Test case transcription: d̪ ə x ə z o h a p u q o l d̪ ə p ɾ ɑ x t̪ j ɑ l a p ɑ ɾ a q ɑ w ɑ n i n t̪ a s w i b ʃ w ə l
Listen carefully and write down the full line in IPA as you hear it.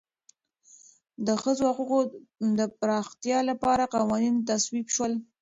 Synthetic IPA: d̪ ə x ə z o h a q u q o d̪ ə p ɾ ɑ x t̪ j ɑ l a p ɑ ɾ a q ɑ w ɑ n i n t̪ a s w i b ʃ w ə l